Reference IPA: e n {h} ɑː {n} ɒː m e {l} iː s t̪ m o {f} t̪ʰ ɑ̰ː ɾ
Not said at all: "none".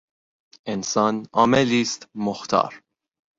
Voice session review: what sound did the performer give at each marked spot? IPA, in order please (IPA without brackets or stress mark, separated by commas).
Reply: s, n, l, x